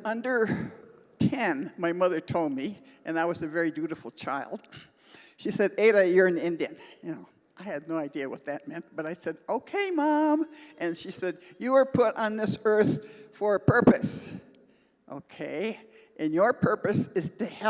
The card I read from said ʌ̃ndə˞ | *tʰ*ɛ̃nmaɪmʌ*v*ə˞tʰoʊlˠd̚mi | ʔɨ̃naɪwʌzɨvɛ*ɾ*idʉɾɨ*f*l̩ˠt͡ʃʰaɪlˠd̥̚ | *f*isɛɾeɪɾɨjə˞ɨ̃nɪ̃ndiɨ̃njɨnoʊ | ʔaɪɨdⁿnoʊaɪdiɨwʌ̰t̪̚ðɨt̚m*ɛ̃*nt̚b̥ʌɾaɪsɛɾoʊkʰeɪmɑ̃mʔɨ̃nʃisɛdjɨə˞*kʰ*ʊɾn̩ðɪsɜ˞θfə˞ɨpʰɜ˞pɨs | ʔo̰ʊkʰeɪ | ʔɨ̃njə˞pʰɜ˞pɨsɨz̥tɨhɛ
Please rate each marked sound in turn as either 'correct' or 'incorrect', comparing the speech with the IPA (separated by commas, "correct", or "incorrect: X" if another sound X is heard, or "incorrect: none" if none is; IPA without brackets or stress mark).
correct, incorrect: ð, incorrect: ɹ, correct, incorrect: ʃ, correct, incorrect: pʰ